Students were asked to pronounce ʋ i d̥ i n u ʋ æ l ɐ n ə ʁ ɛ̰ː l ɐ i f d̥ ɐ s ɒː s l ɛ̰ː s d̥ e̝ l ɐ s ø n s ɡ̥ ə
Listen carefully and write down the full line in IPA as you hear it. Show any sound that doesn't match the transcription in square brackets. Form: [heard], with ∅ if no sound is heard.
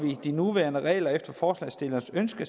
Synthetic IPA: ʋ i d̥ i n u ʋ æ [∅] ɐ n ə ʁ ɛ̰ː l ɐ [e] f d̥ ɐ [f] ɒː s l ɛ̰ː s d̥ e̝ l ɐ s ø n s ɡ̥ ə